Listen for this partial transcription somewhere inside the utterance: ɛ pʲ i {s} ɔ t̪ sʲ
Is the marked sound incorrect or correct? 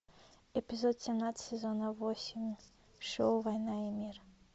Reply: incorrect